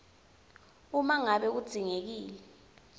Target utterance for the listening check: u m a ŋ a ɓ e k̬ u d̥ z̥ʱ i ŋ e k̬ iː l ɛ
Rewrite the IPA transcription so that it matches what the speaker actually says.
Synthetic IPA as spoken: u m a ŋ a ɓ ɛ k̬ u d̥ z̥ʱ i ŋ e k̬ iː l ɛ